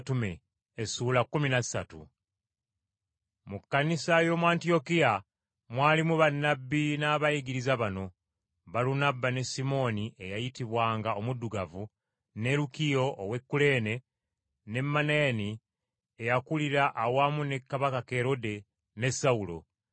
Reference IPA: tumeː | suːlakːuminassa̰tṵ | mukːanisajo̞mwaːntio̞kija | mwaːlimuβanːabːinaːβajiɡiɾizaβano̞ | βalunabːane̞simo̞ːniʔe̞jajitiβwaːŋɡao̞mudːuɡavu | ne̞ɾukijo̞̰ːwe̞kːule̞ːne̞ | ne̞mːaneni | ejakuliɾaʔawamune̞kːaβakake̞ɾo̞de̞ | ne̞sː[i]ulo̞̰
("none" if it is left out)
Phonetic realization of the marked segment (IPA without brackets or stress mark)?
a